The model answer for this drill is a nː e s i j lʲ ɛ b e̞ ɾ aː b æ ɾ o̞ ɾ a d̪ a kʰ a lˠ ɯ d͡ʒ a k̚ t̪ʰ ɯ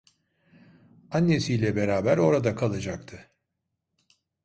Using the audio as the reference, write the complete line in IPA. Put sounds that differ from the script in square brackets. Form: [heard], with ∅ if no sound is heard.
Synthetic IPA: a nː e s i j lʲ ɛ b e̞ ɾ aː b æ ɾ o̞ ɾ a d̪ a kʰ a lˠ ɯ d͡ʒ a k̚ t̪ʰ ɯ